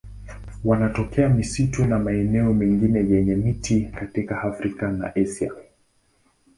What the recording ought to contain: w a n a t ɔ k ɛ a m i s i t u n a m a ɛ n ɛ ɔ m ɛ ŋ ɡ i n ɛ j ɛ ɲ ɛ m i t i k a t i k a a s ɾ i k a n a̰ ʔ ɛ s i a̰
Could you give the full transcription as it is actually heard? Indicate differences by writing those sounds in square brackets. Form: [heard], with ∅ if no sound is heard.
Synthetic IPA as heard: w a n a t ɔ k ɛ a m i s i t u n a m a ɛ n ɛ ɔ m ɛ ŋ ɡ i n ɛ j ɛ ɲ ɛ m i t i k a t i k a a [f] ɾ i k a n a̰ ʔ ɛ s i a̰